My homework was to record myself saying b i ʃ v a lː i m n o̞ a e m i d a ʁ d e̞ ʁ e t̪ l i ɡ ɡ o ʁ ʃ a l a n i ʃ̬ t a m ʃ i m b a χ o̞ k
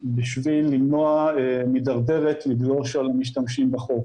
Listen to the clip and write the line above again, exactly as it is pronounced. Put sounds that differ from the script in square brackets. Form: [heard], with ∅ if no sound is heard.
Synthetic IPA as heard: b i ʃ v [i] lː i m n o̞ a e m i d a ʁ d e̞ ʁ e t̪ l i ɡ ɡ o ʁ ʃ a l a [m] i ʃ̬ t a m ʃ i m b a χ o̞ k